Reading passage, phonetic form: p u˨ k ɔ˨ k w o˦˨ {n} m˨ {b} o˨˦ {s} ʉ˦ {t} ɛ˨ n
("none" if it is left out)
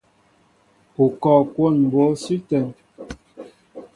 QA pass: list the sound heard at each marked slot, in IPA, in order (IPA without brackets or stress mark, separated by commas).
n, b, s, t